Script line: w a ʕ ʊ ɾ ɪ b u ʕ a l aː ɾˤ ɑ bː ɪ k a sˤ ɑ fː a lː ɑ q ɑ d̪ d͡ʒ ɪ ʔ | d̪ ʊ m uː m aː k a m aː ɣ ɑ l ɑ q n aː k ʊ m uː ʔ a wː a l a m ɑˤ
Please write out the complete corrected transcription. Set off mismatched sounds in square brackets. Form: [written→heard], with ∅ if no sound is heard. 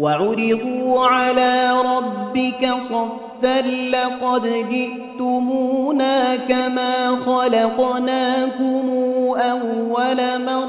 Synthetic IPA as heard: w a ʕ ʊ ɾ ɪ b [u→uː] ʕ a l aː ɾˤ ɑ bː ɪ k a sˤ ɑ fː a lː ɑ q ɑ d̪ d͡ʒ ɪ ʔ | [d̪→t̪] ʊ m uː [m→n] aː k a m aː [ɣ→x] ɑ l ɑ q n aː k ʊ m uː ʔ a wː a l a m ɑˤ